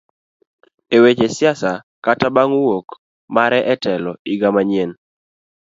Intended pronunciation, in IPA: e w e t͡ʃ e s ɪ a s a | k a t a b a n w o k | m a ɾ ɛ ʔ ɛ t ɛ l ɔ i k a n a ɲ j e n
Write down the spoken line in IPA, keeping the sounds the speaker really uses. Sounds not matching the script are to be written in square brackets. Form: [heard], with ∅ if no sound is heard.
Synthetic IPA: e w e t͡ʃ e s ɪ a s a | k a t a b a [ŋ] w o k | m a ɾ ɛ ʔ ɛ t ɛ l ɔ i [ɡ] a [m] a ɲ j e n

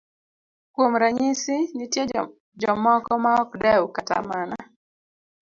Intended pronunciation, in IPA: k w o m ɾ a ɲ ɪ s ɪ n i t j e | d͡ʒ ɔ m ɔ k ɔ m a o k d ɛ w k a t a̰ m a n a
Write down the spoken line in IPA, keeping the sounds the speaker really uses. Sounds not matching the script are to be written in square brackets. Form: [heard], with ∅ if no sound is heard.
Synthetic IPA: k w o m ɾ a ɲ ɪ s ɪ n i t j e | d͡ʒ ɔ m ɔ k ɔ m a [ɔ] k d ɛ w k a t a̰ m a n a

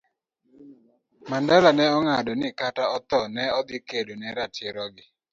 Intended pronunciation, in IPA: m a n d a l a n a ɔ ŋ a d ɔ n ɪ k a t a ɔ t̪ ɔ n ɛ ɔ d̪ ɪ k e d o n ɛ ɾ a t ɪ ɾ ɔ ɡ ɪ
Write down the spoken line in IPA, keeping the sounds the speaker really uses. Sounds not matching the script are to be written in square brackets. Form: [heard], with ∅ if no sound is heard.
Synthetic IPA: m a n d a l a n [ɛ] ɔ ŋ a d ɔ n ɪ k a t a ɔ t̪ ɔ n ɛ ɔ d̪ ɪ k e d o n ɛ ɾ a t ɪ ɾ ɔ ɡ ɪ

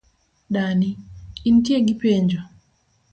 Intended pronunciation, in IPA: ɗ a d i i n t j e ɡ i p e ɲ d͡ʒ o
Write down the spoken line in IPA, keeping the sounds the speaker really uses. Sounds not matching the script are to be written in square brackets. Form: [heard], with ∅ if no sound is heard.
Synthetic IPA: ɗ a [n] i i n t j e ɡ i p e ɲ d͡ʒ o

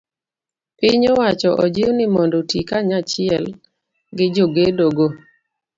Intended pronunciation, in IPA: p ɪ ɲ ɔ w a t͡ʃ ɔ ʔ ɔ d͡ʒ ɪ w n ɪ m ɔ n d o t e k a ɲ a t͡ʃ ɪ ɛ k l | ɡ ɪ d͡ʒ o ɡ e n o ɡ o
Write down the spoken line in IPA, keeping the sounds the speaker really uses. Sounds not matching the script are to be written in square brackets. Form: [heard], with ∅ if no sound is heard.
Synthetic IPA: p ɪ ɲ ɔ w a t͡ʃ ɔ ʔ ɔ d͡ʒ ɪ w n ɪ m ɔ n d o t [i] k a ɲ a t͡ʃ ɪ ɛ [∅] l | ɡ ɪ d͡ʒ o ɡ e [d] o ɡ o

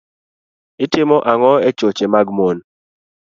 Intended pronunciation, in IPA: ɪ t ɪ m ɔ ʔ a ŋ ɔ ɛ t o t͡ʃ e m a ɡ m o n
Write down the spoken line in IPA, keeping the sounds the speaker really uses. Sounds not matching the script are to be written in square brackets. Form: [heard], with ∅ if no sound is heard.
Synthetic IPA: ɪ t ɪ m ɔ ʔ a ŋ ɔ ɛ [t͡ʃ] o t͡ʃ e m a ɡ m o n

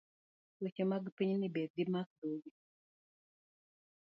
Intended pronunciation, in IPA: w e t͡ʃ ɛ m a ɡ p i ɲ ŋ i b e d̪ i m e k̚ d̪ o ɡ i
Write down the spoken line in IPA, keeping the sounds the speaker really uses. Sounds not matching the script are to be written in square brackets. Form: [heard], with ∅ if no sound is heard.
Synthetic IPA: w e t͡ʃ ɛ m a ɡ p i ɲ [n] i b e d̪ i m [a] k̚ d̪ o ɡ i

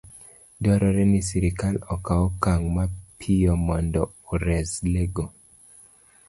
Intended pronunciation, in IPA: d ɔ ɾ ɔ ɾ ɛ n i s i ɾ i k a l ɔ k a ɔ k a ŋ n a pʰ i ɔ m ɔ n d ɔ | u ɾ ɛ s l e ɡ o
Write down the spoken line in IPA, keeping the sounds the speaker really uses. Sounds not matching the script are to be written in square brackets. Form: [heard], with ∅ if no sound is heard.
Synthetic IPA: d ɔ ɾ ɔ ɾ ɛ n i s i ɾ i k a l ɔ k a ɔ k a ŋ [m] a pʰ i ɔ m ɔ n d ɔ | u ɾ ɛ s l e ɡ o

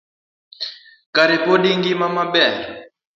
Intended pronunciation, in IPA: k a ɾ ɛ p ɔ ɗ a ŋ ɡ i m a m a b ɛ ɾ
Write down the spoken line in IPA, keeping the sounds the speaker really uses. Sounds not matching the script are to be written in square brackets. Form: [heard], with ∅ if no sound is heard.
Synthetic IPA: k a ɾ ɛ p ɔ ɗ [i] ŋ ɡ i m a m a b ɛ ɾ

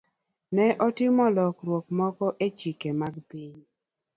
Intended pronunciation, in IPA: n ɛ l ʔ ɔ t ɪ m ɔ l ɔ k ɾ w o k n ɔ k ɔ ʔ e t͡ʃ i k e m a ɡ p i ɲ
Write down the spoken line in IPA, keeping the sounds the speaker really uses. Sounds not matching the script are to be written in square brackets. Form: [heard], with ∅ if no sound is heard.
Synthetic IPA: n ɛ [∅] ʔ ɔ t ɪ m ɔ l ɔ k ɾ w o k [m] ɔ k ɔ ʔ e t͡ʃ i k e m a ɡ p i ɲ

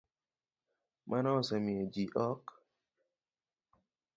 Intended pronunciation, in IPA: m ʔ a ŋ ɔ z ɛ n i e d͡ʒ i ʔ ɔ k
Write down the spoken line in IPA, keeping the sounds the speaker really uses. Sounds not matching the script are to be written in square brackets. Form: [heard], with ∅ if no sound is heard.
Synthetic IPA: m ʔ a [n] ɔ [s] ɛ [m] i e d͡ʒ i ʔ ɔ k

